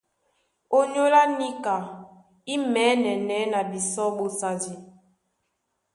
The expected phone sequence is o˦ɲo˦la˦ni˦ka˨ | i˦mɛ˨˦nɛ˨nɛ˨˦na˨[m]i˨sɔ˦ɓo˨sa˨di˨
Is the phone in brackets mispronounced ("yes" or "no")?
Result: yes